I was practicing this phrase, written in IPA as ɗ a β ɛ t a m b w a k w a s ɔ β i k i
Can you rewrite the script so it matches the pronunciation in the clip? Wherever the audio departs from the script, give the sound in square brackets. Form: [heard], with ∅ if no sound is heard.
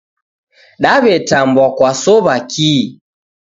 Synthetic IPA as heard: ɗ a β ɛ t a m b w a k w a s ɔ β [a] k i